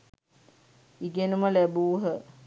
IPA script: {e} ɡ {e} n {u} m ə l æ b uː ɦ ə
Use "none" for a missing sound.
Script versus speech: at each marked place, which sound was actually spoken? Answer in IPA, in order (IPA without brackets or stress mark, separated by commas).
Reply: i, e, u